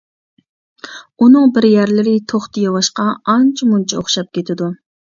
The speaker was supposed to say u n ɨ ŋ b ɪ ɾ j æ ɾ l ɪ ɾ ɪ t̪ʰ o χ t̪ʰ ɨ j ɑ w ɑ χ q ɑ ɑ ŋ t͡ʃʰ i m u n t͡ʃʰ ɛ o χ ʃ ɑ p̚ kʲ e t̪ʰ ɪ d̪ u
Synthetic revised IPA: u n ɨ ŋ b ɪ ɾ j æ ɾ l ɪ ɾ ɪ t̪ʰ o χ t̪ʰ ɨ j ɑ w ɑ ʃ q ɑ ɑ n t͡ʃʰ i m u n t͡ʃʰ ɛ o χ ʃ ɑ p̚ kʲ e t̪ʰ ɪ d̪ u